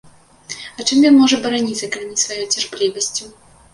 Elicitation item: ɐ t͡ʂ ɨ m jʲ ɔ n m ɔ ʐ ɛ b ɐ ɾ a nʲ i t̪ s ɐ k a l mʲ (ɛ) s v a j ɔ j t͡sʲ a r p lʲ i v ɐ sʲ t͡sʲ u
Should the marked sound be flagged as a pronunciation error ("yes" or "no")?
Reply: yes